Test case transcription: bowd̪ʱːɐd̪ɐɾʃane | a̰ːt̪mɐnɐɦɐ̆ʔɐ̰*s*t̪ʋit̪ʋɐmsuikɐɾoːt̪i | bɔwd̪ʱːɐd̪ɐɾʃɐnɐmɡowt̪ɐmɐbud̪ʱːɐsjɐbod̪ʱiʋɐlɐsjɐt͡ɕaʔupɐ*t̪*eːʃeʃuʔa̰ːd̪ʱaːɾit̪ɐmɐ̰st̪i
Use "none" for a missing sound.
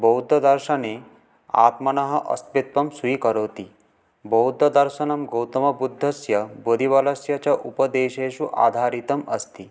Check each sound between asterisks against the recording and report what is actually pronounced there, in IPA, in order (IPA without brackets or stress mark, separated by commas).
s, d̪